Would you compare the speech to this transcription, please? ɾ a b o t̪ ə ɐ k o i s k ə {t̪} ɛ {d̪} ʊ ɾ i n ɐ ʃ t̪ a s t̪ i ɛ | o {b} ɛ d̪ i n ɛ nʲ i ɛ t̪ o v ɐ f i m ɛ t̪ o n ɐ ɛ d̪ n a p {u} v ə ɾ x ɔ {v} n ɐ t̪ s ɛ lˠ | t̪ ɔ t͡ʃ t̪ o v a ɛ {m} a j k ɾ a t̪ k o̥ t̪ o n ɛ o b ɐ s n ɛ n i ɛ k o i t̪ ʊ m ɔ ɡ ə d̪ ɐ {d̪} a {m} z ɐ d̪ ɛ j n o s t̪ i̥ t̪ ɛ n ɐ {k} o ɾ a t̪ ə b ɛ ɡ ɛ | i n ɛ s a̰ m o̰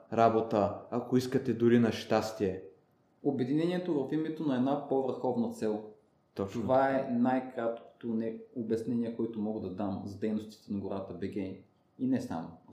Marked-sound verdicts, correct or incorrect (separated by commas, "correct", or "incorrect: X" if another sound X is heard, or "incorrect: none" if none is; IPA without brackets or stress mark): correct, correct, correct, incorrect: o, correct, incorrect: n, correct, correct, incorrect: ɡ